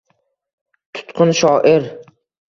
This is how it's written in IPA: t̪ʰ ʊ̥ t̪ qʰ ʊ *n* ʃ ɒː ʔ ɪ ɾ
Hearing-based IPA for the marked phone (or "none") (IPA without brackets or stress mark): n